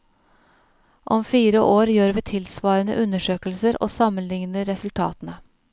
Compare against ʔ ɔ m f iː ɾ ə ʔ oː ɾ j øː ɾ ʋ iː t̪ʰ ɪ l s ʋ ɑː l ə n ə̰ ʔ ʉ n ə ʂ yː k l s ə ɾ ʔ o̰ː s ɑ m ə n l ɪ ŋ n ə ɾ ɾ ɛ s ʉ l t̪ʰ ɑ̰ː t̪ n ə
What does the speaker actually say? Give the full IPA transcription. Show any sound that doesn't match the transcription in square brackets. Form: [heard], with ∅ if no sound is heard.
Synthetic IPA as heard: ʔ ɔ m f iː ɾ ə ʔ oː ɾ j øː ɾ ʋ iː t̪ʰ ɪ l s ʋ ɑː [ɾ] ə n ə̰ ʔ ʉ n ə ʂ [øː] k l s ə ɾ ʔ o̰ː s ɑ m ə n l ɪ ŋ n ə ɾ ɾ ɛ s ʉ l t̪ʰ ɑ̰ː t̪ n ə